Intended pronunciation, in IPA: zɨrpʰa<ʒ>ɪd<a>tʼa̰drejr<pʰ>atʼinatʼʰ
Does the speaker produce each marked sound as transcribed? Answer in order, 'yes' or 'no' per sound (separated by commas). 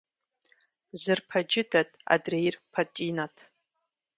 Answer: no, yes, yes